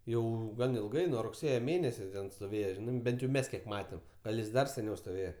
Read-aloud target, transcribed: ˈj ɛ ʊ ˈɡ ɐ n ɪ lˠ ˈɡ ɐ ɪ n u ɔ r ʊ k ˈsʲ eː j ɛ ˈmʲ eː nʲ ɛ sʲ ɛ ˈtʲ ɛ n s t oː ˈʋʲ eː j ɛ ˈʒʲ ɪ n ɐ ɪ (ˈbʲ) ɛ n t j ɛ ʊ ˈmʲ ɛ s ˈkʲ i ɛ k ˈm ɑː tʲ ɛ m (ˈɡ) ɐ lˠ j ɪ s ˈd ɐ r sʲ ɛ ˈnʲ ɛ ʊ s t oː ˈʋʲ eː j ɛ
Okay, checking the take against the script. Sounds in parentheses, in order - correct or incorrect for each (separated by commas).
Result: correct, correct